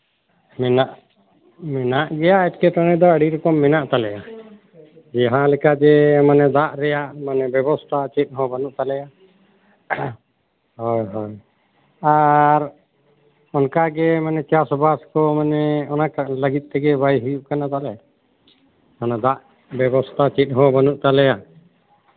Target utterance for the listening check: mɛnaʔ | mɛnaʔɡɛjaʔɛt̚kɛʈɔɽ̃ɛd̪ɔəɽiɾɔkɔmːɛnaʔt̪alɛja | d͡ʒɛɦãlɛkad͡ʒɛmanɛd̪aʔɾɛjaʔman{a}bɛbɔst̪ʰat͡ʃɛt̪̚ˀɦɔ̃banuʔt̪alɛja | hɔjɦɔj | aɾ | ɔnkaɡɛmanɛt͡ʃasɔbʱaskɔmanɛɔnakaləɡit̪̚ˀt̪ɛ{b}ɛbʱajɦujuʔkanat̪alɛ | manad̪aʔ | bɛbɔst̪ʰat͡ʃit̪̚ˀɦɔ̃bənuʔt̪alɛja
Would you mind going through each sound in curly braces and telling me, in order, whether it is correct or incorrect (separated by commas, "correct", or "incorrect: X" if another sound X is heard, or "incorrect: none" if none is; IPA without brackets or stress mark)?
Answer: incorrect: ɛ, incorrect: ɡ